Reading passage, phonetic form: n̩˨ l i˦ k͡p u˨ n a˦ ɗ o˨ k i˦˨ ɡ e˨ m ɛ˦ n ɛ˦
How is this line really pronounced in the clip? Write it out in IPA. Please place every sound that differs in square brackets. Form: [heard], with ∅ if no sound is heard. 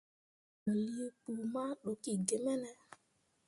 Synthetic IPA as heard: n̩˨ l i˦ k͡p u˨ [m] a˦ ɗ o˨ k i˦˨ ɡ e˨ m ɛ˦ n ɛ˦